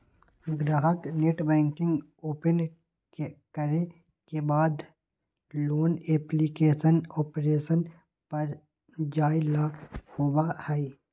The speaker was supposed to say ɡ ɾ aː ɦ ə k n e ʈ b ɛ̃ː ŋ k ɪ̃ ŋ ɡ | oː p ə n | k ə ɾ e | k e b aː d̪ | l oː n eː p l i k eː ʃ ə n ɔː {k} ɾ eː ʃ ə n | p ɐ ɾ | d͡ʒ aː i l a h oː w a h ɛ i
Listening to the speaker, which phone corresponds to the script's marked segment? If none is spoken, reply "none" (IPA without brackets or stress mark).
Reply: p